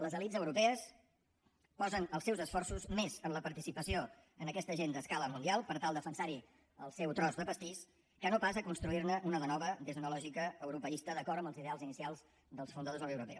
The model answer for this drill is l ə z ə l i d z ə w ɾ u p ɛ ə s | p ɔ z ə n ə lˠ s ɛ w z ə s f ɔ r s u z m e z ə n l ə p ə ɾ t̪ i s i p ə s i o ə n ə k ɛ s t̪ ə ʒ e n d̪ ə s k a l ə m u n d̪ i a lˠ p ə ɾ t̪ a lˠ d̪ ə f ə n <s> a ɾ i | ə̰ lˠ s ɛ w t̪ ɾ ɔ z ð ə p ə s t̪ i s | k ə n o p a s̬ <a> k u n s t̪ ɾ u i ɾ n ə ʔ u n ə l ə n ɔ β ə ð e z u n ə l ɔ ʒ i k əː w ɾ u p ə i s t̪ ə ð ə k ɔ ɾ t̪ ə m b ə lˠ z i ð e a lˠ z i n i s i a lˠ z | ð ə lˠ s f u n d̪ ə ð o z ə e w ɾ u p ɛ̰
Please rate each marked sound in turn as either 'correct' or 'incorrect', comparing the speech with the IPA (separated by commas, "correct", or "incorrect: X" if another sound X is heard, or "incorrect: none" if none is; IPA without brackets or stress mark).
correct, incorrect: ə